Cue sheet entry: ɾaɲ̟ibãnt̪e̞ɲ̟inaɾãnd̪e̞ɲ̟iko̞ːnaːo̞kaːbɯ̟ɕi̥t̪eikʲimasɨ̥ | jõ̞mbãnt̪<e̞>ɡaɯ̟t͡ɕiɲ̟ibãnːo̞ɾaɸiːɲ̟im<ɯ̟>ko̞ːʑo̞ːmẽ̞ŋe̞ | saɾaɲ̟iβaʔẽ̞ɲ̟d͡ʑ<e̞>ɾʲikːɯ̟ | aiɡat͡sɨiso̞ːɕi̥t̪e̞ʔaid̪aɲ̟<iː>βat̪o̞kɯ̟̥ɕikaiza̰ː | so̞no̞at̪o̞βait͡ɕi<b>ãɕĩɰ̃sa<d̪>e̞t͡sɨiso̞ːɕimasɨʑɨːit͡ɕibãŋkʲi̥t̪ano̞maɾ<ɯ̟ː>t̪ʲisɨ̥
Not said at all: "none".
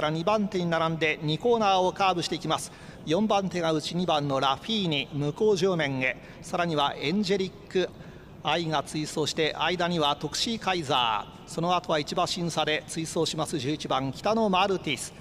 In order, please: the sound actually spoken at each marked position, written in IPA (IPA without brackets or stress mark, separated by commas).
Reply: e̞, ɯ̟, e̞, i, b, d̪, ɯ̟